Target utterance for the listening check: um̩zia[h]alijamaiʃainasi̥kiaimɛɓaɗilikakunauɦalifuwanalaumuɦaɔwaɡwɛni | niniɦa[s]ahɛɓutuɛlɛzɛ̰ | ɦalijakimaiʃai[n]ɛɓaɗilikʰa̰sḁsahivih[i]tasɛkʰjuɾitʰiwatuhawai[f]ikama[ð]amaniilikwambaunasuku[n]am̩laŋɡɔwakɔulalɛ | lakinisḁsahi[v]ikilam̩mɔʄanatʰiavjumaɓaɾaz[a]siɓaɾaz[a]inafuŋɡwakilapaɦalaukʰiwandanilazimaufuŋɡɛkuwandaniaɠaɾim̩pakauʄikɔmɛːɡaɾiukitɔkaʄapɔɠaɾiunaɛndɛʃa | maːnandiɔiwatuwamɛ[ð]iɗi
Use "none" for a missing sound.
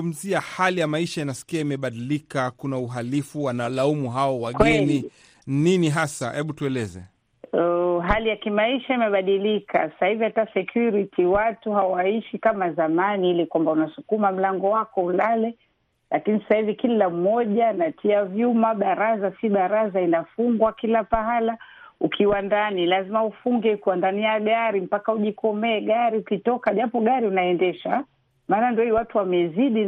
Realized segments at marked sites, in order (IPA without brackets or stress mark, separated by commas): h, s, m, a, ʃ, z, m, v, a, a, z